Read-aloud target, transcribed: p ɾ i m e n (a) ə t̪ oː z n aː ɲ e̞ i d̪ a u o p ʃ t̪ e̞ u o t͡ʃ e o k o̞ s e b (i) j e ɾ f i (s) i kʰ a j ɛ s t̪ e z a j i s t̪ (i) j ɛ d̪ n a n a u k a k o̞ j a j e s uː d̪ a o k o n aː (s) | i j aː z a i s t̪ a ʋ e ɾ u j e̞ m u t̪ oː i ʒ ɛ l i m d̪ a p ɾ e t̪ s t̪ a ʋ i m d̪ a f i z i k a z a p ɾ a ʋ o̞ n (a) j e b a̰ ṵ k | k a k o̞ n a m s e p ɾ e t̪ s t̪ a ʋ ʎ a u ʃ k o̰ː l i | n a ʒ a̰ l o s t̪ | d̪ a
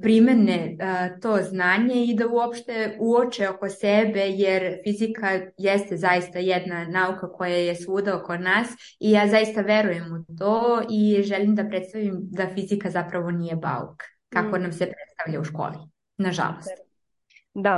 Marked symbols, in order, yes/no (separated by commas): no, no, no, no, yes, no